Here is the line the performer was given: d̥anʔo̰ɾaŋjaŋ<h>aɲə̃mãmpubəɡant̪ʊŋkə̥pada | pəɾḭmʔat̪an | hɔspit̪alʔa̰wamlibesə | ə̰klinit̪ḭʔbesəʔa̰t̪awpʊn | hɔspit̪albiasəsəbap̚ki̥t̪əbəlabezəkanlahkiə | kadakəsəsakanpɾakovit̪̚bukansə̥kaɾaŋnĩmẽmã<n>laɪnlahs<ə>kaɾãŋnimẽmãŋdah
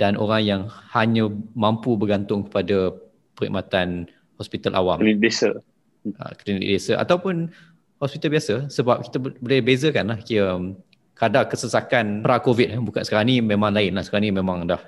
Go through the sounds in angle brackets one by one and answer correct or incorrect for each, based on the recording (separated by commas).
correct, incorrect, correct